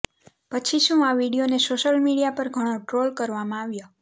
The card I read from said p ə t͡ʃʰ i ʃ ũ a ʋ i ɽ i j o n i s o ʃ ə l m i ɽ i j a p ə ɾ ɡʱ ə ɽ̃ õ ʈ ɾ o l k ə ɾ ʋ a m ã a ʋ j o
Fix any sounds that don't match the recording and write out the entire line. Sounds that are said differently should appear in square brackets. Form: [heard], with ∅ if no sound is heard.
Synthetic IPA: p ə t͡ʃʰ i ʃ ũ a ʋ i ɽ i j o n [e] s o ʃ ə l m i ɽ i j a p ə ɾ ɡʱ ə ɽ̃ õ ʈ ɾ o l k ə ɾ ʋ a m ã a ʋ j o